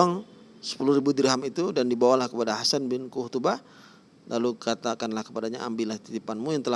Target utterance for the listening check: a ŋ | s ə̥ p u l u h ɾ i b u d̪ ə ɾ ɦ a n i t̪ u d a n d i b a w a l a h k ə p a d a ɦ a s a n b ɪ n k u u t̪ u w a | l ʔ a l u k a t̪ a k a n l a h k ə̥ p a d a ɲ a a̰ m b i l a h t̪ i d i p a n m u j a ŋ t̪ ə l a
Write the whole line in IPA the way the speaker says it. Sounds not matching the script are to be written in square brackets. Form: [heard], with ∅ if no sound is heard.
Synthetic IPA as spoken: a ŋ | s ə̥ p u l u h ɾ i b u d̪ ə ɾ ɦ a [m] i t̪ u d a n d i b a w a l a h k ə p a d a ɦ a s a n b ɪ n k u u t̪ u [b] a | l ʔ a l u k a t̪ a k a n l a h k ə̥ p a d a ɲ a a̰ m b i l a h t̪ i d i p a n m u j a ŋ t̪ ə l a

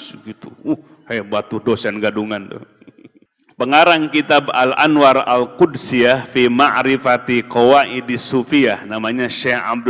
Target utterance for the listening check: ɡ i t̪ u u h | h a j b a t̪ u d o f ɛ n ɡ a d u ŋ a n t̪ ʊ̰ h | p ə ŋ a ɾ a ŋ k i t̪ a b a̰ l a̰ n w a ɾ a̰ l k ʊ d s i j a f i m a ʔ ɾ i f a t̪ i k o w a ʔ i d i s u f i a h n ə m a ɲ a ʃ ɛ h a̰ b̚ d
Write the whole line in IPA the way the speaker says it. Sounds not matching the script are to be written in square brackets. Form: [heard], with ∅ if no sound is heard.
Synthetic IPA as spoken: ɡ i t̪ u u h | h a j b a t̪ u d o [s] ɛ n ɡ a d u ŋ a n t̪ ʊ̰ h | p ə ŋ a ɾ a ŋ k i t̪ a b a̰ l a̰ n w a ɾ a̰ l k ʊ d s i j a f i m a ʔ ɾ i f a t̪ i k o w a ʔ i d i s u f i a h n [a] m a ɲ a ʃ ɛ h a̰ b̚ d

